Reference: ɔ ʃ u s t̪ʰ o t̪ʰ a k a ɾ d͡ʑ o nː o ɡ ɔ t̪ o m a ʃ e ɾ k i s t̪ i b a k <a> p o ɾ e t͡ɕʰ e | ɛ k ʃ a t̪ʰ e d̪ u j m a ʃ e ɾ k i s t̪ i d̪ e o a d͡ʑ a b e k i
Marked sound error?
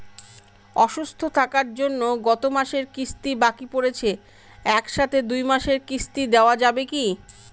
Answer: yes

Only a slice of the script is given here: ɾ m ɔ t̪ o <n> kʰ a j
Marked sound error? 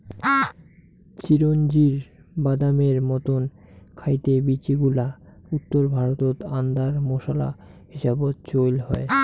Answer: no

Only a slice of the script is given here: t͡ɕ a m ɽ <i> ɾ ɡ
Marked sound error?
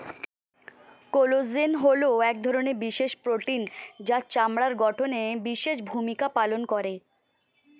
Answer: yes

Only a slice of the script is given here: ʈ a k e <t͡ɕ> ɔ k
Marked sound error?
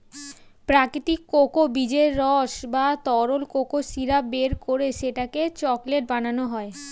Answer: no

